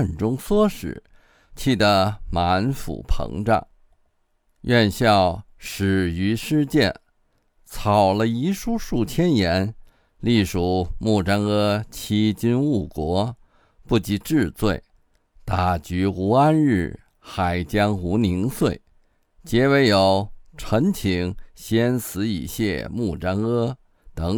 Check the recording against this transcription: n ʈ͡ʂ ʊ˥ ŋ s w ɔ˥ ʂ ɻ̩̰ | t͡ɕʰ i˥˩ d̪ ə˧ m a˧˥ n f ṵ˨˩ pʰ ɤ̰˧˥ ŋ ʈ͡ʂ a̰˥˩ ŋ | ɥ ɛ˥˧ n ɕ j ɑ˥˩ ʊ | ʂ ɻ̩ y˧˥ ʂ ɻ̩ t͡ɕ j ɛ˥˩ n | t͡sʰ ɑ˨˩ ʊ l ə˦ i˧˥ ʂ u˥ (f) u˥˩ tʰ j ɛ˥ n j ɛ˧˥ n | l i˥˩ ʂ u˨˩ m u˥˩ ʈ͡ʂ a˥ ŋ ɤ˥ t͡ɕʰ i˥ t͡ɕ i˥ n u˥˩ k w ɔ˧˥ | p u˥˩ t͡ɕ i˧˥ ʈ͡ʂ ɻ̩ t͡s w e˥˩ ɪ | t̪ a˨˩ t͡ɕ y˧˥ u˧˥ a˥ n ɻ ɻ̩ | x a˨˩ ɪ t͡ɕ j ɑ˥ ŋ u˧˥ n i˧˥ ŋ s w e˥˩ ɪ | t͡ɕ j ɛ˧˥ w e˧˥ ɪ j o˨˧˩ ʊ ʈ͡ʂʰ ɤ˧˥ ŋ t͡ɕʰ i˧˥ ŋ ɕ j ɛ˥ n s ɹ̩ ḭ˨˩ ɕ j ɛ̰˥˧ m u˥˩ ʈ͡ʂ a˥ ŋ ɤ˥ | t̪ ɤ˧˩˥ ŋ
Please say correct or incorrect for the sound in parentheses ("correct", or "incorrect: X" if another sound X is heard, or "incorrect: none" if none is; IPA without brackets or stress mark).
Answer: incorrect: ʂ